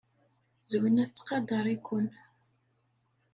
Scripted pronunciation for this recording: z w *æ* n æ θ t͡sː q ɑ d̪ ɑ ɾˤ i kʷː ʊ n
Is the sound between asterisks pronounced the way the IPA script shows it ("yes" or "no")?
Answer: no